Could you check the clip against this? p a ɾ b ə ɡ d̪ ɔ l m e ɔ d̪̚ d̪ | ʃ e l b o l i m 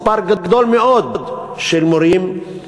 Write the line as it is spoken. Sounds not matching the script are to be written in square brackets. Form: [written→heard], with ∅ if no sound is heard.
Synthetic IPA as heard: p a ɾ [b→ɡ] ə ɡ d̪ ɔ l m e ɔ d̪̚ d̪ | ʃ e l [b→m] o [l→ɾ] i m

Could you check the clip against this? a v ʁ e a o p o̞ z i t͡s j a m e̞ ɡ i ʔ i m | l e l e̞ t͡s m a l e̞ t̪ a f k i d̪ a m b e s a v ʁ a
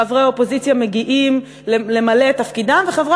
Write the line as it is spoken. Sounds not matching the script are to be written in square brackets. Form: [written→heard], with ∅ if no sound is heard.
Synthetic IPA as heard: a v ʁ e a o p o̞ z i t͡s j a m e̞ ɡ i ʔ i m | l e l e̞ [t͡s→∅] m a l e̞ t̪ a f k i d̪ a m [b→v] e [s→χ] a v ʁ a

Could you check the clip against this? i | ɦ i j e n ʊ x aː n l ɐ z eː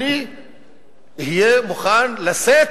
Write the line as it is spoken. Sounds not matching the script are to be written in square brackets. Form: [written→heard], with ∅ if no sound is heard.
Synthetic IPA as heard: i | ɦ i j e [n→m] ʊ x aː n l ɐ [z→s] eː

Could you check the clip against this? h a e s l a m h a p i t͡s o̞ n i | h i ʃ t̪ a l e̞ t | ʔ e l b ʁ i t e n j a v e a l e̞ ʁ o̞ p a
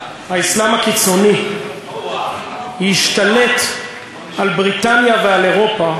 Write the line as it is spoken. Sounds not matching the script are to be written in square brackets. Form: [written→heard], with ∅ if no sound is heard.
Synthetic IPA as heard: h a [e→i] s l a m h a [p→k] i t͡s o̞ n i | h i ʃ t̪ a l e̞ t | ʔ [e→a] l b ʁ i t [e→a] n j a v e a l e̞ ʁ o̞ p a

